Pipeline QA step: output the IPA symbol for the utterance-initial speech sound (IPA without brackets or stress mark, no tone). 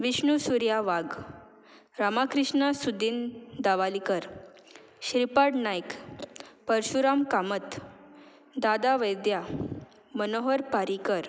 ʋ